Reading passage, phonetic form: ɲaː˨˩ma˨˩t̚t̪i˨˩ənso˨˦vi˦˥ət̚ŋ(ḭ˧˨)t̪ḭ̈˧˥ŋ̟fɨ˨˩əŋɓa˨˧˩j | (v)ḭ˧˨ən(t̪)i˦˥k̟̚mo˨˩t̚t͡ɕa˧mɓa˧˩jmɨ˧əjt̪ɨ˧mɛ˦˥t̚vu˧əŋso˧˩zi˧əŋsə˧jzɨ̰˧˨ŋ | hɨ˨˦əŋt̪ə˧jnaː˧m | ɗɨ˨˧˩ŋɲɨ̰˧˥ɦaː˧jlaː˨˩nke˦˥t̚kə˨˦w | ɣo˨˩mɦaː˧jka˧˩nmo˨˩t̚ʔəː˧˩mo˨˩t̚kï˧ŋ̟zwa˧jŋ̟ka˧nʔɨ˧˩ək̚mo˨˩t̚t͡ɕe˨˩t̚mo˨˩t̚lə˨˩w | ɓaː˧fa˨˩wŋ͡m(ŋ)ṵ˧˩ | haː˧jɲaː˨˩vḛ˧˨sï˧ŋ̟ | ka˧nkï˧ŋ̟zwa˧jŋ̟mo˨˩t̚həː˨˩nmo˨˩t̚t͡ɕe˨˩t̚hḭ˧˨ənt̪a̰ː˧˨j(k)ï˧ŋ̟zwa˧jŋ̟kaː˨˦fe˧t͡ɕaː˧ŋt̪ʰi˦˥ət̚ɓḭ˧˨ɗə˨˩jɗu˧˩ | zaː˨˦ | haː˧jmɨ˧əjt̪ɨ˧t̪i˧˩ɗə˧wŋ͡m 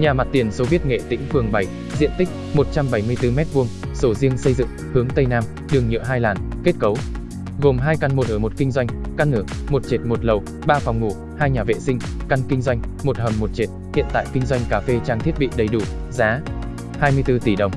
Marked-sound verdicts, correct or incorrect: incorrect: ḛ˧˨, incorrect: z, correct, correct, correct

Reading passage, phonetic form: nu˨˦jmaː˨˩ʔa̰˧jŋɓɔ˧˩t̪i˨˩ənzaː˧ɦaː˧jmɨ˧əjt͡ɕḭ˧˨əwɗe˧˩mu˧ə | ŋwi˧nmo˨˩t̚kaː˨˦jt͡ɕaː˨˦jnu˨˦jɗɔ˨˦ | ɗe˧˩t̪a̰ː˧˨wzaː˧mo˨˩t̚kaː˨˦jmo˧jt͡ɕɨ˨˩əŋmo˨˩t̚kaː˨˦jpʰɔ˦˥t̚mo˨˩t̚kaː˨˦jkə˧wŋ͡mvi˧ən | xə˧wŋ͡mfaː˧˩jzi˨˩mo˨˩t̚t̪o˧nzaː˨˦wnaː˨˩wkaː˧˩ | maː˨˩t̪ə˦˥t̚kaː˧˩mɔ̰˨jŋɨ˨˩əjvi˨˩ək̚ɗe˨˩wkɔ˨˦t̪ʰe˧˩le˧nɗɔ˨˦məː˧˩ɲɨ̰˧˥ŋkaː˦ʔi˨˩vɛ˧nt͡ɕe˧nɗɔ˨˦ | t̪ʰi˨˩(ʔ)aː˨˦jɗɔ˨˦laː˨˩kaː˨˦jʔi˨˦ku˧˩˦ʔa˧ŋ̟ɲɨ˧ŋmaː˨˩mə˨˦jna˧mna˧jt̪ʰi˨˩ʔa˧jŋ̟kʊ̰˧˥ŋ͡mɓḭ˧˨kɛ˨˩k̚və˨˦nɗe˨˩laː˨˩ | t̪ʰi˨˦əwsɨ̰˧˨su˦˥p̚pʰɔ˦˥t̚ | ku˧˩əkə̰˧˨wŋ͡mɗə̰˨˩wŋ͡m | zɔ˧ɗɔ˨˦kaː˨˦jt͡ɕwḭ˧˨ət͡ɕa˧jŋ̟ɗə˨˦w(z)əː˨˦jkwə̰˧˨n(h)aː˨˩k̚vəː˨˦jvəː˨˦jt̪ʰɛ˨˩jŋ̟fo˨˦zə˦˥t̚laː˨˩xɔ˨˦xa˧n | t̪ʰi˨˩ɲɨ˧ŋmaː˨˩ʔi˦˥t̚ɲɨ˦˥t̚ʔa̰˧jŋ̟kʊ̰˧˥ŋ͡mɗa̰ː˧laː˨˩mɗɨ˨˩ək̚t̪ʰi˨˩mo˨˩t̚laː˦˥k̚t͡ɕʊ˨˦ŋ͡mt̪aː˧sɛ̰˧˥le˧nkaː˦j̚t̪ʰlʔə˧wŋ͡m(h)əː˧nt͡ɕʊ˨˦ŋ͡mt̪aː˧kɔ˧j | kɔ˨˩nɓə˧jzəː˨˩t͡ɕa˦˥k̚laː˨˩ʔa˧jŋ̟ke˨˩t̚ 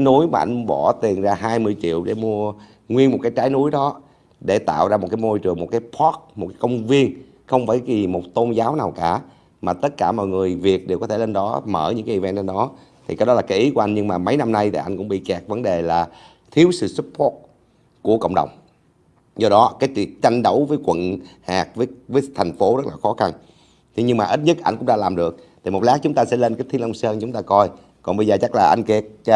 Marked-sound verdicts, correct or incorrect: incorrect: k, incorrect: v, correct, incorrect: s

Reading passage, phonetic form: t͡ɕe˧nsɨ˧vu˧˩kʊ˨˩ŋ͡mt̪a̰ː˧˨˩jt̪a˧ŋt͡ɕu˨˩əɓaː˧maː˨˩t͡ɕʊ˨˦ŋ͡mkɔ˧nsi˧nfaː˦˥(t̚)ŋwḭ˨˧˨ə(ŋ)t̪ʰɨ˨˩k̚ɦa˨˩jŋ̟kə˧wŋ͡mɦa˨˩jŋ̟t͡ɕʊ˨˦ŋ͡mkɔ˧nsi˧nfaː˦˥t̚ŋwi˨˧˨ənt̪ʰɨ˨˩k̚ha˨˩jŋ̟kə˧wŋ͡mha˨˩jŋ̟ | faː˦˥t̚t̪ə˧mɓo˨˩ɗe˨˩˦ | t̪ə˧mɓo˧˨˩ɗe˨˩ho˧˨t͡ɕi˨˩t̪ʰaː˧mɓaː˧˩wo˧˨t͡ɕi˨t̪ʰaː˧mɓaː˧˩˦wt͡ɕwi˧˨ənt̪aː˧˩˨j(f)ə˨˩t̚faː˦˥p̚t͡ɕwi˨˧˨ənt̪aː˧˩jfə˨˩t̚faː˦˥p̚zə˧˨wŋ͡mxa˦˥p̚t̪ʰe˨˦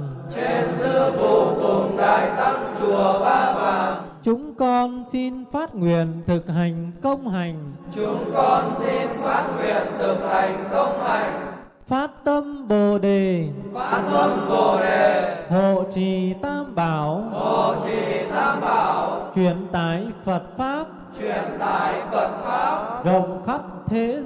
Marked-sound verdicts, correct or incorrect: correct, incorrect: n, correct

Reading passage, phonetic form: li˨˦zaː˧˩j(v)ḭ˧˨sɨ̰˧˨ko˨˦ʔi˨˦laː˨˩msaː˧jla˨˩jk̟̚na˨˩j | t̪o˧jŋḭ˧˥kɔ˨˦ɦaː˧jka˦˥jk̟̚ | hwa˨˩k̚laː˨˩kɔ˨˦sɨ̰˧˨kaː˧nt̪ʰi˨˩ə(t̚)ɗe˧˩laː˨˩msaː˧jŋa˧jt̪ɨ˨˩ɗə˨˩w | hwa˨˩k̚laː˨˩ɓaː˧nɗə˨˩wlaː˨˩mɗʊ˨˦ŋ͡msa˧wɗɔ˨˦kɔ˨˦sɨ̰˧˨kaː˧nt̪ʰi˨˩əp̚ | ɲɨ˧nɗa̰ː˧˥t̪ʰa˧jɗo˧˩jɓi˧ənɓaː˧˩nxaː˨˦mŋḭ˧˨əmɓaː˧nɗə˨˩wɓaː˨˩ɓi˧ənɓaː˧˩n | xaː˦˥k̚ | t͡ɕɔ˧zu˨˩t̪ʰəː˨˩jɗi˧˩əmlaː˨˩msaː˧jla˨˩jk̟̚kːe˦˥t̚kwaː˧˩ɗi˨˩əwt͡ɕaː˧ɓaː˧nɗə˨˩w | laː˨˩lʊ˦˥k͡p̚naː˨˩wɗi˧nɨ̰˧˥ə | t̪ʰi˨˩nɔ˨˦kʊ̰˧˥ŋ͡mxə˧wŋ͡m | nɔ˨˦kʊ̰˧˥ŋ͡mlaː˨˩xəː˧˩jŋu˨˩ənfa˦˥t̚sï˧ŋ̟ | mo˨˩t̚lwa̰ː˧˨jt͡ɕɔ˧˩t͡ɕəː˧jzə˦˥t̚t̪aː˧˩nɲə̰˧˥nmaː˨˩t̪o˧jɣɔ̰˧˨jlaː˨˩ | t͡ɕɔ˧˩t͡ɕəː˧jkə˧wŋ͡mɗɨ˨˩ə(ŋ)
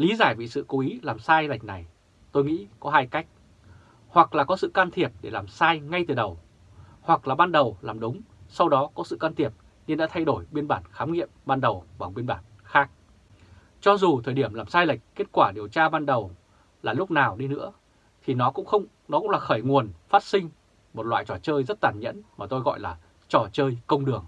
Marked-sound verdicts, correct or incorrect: correct, incorrect: p̚, correct

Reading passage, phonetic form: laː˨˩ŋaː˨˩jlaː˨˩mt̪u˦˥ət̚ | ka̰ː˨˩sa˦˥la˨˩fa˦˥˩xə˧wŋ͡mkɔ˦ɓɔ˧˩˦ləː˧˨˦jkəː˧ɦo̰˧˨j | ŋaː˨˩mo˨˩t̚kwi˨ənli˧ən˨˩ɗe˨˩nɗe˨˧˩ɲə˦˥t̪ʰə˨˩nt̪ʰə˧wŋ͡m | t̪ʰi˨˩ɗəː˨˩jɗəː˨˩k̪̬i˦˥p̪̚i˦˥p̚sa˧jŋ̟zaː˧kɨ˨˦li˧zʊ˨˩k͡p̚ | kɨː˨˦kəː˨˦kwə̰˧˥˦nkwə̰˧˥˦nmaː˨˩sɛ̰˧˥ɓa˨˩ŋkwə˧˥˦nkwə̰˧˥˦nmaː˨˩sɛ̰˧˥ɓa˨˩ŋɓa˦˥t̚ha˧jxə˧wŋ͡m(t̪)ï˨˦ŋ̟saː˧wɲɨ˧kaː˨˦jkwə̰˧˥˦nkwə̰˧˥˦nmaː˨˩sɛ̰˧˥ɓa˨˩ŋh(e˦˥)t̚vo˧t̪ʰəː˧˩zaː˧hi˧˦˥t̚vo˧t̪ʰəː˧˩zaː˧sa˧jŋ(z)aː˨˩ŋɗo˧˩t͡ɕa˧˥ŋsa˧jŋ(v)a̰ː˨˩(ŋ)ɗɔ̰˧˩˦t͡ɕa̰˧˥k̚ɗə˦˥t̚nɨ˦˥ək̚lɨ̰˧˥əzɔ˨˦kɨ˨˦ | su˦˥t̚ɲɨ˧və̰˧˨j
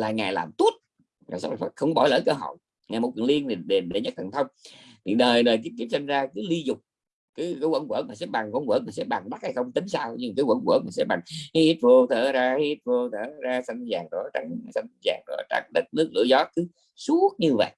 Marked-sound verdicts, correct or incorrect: correct, incorrect: i˦˥, correct, incorrect: z, correct

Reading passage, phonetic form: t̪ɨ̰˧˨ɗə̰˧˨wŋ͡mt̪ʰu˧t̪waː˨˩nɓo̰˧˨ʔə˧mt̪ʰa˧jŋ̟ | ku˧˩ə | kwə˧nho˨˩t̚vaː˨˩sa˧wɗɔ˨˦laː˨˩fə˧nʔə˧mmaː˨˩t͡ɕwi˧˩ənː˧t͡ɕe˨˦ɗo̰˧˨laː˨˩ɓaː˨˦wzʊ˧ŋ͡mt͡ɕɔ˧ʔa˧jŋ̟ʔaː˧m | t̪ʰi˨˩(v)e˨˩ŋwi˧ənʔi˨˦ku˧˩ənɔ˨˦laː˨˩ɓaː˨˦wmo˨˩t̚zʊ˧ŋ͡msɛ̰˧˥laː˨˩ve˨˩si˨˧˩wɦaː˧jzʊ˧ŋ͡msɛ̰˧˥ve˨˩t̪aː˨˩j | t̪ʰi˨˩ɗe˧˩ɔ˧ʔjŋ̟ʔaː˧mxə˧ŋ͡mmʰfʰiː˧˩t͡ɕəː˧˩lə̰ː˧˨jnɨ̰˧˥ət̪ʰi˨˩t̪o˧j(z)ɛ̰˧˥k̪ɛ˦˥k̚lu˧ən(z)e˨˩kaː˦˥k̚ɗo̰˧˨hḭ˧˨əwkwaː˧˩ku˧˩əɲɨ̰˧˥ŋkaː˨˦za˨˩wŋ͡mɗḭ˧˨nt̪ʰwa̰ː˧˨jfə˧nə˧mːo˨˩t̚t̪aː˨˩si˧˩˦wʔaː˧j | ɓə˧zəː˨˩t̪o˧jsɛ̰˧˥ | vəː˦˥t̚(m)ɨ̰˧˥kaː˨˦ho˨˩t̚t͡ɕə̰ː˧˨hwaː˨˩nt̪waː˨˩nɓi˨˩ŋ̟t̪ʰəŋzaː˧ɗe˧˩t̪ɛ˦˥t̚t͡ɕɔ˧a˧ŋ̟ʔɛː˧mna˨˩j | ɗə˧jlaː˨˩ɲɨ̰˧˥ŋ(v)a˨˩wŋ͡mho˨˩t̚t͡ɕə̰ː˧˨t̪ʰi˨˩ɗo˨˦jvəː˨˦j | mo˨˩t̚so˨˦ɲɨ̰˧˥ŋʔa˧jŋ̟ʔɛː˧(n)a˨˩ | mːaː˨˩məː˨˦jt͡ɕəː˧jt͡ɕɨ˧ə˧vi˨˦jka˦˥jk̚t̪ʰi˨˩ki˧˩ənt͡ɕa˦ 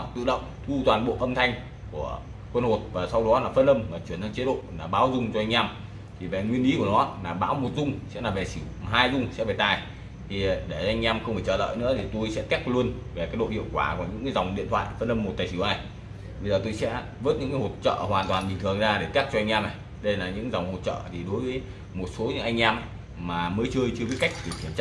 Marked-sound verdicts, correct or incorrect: correct, incorrect: s, incorrect: v, incorrect: ɲ, incorrect: z, incorrect: m

